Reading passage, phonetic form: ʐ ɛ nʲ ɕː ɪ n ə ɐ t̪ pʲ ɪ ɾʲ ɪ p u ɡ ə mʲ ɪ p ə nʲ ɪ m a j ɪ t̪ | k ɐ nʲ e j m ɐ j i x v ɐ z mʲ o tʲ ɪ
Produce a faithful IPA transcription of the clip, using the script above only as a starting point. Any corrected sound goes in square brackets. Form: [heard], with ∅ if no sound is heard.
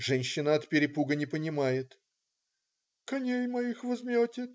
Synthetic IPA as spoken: ʐ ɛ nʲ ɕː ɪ n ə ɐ t̪ pʲ ɪ ɾʲ ɪ p u ɡ ə [nʲ] ɪ p ə nʲ ɪ m a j ɪ t̪ | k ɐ nʲ e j m ɐ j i x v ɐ z mʲ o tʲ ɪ